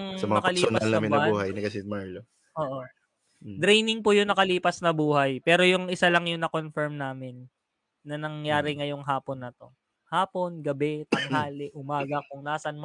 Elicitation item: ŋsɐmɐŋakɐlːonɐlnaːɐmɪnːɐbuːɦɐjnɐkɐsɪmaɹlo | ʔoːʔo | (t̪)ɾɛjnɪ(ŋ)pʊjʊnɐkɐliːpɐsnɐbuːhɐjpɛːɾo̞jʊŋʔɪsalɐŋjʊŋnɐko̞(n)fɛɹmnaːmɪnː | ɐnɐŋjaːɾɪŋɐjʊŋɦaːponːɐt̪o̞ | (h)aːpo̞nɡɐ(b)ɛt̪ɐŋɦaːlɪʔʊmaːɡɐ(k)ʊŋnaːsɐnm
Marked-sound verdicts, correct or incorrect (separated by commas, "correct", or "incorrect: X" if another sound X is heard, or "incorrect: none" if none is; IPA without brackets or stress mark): incorrect: d̪, correct, correct, correct, correct, correct